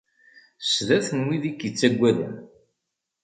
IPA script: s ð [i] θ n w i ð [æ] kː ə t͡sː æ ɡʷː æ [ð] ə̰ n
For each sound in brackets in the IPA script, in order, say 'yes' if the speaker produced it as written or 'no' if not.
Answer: no, no, yes

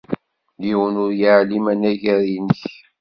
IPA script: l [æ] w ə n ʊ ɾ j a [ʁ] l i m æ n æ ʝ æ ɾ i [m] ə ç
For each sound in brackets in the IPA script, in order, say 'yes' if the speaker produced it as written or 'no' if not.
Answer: no, no, no

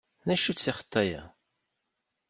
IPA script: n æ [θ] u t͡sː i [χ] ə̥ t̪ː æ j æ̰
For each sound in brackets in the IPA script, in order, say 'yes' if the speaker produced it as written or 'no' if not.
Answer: no, yes

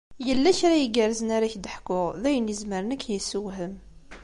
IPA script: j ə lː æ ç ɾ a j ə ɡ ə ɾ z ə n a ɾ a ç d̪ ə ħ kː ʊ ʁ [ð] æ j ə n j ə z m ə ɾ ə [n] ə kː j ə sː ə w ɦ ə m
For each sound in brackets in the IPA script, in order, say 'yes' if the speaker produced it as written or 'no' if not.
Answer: yes, yes

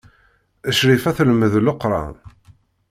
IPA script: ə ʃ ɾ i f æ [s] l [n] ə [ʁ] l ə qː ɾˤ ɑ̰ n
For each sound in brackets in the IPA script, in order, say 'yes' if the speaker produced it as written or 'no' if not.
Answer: no, no, no

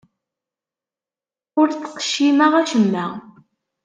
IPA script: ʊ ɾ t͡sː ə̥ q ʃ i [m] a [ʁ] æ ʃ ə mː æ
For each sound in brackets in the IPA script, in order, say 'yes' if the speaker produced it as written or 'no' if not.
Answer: yes, yes

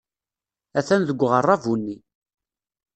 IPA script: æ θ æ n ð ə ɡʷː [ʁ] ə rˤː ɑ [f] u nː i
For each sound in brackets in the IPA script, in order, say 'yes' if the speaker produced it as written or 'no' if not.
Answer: yes, no

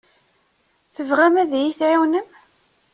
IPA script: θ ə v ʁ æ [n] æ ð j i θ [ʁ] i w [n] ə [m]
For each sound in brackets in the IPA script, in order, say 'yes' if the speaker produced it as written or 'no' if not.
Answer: no, no, yes, yes

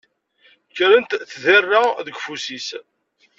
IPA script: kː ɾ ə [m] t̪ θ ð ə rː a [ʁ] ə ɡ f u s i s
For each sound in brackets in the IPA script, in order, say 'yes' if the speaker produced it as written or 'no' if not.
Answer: no, no

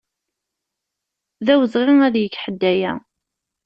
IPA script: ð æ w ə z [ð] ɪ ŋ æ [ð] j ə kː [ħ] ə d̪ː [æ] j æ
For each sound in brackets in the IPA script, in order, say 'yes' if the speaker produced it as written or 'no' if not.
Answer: no, yes, yes, yes

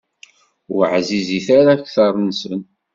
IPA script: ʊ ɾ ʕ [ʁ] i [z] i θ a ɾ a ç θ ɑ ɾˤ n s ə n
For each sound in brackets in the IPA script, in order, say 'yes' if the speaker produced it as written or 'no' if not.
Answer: no, yes

